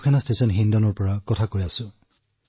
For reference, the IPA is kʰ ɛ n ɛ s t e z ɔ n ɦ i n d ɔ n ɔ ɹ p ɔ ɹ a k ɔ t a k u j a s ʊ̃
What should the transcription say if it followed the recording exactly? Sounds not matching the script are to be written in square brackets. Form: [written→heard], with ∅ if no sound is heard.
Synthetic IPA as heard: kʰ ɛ n [ɛ→a] s t e [z→s] ɔ n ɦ i n d ɔ n ɔ ɹ p ɔ ɹ a k ɔ [t→tʰ] a k [u→o] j a s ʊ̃